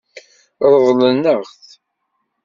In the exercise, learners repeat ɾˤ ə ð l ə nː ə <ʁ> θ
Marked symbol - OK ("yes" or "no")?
yes